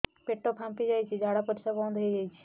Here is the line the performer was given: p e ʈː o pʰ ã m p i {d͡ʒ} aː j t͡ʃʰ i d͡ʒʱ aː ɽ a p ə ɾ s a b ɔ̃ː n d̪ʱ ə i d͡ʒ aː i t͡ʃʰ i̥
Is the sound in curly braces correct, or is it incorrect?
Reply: correct